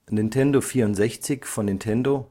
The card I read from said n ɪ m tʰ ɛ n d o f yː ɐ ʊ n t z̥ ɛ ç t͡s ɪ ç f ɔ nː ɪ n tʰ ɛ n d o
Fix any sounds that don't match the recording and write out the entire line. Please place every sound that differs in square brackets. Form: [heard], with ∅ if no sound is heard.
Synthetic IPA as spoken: n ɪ [n] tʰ ɛ n d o f [iː] ɐ ʊ n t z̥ ɛ ç t͡s ɪ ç f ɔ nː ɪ n tʰ ɛ n d o